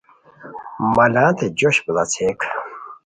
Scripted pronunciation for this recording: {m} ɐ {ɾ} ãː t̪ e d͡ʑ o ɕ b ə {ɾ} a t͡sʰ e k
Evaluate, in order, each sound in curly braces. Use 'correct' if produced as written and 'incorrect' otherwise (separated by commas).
correct, incorrect, incorrect